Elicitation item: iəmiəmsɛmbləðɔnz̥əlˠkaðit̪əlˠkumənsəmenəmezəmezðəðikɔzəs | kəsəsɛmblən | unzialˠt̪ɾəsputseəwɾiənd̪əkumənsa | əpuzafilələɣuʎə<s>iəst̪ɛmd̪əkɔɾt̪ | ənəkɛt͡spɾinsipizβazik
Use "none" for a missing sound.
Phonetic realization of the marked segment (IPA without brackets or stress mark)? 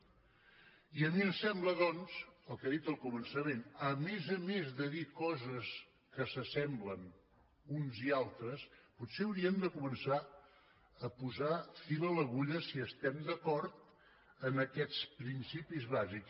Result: s